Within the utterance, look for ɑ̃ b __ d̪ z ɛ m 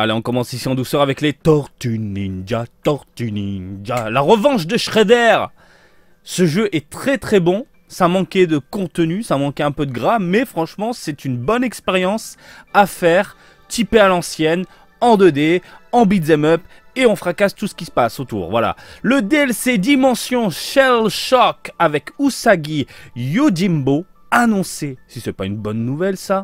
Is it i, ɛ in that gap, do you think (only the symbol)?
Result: i